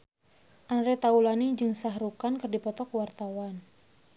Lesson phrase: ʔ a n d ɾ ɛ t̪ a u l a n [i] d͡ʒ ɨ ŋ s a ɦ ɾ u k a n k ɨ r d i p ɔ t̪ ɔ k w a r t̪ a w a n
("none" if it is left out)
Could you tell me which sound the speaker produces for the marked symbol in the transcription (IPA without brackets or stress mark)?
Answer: i